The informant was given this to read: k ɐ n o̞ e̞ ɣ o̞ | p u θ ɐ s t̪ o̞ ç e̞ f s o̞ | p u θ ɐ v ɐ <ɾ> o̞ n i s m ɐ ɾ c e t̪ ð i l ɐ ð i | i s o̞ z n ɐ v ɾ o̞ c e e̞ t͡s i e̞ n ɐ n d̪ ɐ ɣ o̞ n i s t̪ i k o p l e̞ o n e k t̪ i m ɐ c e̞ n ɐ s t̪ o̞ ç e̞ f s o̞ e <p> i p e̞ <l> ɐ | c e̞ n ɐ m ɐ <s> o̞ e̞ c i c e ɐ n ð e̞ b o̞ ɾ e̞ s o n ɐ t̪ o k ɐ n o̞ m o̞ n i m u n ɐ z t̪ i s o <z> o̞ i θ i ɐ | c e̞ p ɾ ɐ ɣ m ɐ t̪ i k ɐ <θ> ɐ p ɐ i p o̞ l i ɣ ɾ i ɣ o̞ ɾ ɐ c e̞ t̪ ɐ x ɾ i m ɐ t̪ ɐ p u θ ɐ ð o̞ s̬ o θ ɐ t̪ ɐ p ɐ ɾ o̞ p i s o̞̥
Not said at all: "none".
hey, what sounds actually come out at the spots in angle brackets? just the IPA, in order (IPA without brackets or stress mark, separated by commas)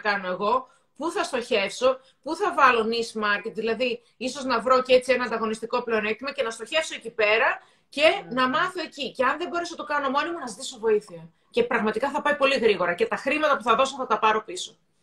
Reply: l, c, ɾ, θ, v, θ